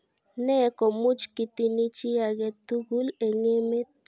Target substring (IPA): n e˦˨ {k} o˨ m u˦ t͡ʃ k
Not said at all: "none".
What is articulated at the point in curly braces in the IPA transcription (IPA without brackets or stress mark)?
k